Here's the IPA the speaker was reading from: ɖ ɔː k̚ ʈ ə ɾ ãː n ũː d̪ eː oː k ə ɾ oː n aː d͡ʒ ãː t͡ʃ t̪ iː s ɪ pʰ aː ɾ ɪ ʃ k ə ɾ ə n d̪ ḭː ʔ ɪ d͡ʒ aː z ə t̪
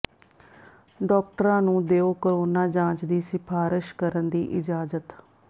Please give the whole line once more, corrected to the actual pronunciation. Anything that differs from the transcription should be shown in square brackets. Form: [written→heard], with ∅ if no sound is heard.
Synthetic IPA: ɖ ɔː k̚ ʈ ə ɾ ãː n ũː d̪ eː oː k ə ɾ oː n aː d͡ʒ ãː t͡ʃ [t̪→d̪] iː s ɪ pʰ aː ɾ ɪ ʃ k ə ɾ ə n d̪ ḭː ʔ ɪ d͡ʒ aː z ə t̪